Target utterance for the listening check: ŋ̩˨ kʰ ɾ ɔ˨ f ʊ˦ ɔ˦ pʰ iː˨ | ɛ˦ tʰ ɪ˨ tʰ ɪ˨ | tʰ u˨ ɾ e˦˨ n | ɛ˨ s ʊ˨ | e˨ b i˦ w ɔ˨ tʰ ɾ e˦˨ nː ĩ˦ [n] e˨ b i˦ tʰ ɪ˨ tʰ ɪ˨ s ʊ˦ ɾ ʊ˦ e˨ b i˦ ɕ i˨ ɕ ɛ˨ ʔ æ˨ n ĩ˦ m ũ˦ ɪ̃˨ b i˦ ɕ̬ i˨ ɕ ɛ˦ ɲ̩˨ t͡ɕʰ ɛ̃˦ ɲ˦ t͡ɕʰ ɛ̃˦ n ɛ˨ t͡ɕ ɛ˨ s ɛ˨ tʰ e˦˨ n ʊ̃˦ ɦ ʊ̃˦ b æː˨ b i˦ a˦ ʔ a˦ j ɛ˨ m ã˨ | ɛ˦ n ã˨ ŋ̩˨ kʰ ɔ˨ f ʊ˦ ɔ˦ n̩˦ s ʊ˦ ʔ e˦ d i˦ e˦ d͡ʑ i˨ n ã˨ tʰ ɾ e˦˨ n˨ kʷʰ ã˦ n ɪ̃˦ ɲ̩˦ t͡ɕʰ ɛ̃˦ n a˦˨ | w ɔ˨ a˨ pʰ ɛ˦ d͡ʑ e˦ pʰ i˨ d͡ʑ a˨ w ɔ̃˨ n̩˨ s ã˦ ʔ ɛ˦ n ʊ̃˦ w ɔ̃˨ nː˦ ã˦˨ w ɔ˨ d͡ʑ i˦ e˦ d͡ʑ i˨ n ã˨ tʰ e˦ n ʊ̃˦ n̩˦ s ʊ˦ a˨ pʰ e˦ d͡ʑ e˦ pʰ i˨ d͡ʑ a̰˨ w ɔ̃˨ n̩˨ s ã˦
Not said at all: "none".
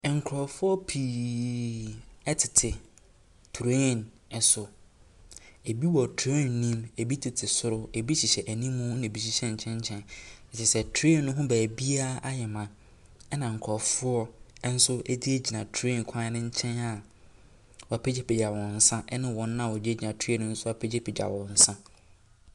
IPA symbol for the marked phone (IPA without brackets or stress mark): m